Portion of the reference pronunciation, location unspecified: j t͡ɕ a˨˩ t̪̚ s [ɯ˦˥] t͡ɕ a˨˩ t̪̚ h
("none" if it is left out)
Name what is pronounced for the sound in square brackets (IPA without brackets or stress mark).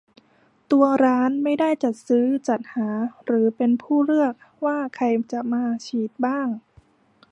ɯː˦˥